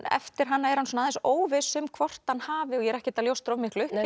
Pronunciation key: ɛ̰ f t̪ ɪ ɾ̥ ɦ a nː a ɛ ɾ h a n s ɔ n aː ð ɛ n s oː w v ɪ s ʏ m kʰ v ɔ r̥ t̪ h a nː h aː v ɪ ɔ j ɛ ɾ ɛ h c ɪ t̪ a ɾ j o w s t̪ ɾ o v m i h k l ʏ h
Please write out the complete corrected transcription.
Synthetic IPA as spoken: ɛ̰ f t̪ ɪ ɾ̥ ɦ a nː a ɛ ɾ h a n s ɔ n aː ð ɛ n s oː w v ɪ s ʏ m kʰ v ɔ r̥ t̪ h a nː h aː v ɪ ɔ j ɛ ɾ ɛ h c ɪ t̪ a l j o w s t̪ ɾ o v m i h k l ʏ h

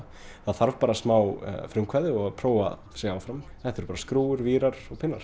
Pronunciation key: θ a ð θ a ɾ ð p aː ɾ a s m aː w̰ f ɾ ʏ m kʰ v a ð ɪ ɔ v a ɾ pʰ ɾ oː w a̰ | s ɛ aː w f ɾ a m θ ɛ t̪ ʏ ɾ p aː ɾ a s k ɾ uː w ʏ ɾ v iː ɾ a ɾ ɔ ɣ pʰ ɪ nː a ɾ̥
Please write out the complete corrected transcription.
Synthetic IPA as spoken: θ a ð θ a ɾ v p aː ɾ a s m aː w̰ f ɾ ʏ m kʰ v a ð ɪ ɔ ɣ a pʰ ɾ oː w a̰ | s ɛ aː w f ɾ a m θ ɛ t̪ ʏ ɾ p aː ɾ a s k ɾ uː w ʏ ɾ v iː ɾ a ɾ ɔ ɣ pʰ ɪ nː a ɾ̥

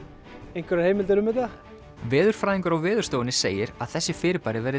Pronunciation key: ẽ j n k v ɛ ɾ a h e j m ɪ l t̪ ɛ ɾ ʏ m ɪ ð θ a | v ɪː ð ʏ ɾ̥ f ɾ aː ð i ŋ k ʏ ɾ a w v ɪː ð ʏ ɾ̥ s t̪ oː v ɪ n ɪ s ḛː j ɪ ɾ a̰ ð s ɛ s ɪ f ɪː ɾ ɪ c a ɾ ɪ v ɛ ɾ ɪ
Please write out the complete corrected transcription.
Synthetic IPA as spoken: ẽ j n k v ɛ ɾ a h e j m ɪ l t̪ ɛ ɾ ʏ m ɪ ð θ a | v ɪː ð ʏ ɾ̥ f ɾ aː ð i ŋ k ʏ ɾ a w v ɪː ð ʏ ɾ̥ s t̪ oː w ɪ n ɪ s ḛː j ɪ ɾ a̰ ð θ ɛ sː ɪ f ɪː ɾ ɪ p a ɾ ɪ v ɛ ɾ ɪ

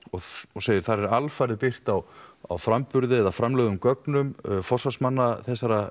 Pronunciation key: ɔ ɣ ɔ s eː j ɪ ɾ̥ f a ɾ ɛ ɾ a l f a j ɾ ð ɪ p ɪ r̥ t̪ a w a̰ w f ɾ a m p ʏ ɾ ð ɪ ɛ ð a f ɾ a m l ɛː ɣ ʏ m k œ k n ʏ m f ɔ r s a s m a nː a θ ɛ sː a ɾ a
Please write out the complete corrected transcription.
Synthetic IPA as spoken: ɔ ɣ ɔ s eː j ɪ ɾ̥ θ a ɾ ɛ ɾ a l f a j ɾ ð ɪ p ɪ r̥ t̪ a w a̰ w f ɾ a m p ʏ ɾ ð ɪ ɛ ð a f ɾ a m l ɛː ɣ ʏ m k œ k n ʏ m f ɔ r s a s m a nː a θ ɛ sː a ɾ a

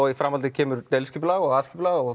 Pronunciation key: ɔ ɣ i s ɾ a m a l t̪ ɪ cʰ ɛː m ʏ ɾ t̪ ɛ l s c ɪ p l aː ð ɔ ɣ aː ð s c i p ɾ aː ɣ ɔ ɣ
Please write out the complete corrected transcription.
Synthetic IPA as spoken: ɔ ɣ i f ɾ a m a l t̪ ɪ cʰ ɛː m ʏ ɾ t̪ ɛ l s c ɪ p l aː ɣ ɔ ɣ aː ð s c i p l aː ɣ ɔ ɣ

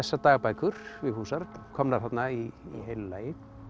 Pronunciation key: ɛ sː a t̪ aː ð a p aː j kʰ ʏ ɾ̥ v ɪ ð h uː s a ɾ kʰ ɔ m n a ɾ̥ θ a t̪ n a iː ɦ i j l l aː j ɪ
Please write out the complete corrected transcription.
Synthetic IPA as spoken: ɛ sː a t̪ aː ɣ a p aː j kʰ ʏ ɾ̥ v ɪ ð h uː s a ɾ kʰ ɔ m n a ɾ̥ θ a t̪ n a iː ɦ e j l l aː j ɪ

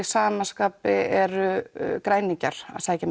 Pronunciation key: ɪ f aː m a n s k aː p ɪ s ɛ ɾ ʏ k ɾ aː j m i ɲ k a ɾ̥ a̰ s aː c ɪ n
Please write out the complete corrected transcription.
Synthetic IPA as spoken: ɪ s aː m a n s k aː p ɪ ɛ ɾ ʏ k ɾ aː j n i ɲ c a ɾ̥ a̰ s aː c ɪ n

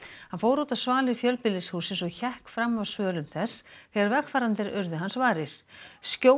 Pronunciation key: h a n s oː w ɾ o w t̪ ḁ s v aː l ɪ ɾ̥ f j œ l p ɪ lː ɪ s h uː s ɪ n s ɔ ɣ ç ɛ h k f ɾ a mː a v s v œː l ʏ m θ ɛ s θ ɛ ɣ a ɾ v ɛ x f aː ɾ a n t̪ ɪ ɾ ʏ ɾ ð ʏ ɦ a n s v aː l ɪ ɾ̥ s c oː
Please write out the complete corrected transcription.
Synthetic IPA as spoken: h a n f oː w ɾ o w t̪ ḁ s v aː l ɪ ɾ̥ f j œ l p ɪ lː ɪ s h uː s ɪ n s ɔ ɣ ç ɛ h k f ɾ a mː a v s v œː l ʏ m θ ɛ s θ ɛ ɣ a ɾ v ɛ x f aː ɾ a n t̪ ɪ ɾ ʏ ɾ ð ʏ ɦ a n s v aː ɾ ɪ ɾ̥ s c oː

